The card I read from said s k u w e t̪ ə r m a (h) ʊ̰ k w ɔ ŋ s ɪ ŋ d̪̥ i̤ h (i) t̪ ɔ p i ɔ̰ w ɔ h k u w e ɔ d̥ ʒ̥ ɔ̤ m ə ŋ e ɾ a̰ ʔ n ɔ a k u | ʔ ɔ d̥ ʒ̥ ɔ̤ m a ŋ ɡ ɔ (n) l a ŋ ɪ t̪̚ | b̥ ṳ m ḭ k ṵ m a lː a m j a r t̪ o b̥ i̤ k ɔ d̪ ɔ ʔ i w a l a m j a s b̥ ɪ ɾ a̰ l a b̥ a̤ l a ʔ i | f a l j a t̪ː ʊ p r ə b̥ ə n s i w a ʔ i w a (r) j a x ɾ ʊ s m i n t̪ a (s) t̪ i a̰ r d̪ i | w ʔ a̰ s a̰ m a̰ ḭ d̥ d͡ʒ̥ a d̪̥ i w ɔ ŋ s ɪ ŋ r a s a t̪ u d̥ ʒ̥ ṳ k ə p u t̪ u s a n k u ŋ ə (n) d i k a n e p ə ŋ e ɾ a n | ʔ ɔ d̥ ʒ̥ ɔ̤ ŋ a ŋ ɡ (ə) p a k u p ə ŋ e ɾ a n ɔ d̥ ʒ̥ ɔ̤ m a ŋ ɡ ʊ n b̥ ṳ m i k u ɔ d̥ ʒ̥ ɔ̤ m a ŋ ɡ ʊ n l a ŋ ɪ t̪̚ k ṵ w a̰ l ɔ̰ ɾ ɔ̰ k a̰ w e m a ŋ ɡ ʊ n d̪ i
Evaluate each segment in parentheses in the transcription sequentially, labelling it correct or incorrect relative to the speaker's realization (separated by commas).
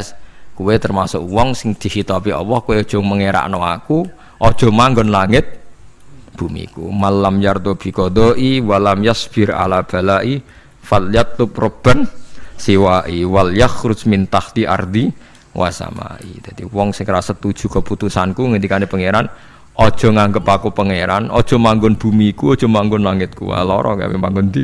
incorrect, correct, correct, incorrect, incorrect, correct, correct